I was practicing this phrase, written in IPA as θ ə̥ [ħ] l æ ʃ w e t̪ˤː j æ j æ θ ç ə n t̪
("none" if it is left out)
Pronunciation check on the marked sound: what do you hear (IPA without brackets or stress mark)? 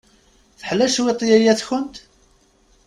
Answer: ħ